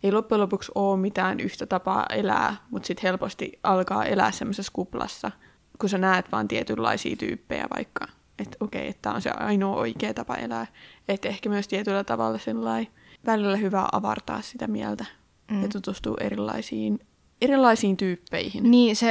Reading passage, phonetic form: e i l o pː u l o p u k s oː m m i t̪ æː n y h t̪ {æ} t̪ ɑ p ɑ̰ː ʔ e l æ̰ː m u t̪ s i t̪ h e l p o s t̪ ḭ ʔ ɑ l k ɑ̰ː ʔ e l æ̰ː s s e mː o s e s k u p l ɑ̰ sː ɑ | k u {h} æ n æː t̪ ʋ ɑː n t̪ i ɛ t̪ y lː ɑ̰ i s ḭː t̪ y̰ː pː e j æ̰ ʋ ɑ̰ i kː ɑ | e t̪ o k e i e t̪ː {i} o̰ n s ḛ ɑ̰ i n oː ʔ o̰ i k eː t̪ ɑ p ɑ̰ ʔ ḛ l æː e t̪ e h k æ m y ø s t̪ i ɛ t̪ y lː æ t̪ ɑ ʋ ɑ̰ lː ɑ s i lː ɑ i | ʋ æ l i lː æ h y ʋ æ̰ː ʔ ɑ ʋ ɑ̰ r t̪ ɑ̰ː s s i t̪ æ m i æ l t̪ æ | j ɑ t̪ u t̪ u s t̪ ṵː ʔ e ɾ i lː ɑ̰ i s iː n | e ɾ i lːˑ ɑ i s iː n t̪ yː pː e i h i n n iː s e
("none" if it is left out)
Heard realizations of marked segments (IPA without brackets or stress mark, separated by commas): æ, s, æ